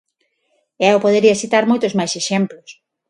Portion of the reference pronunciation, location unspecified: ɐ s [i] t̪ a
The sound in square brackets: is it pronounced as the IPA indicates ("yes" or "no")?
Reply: yes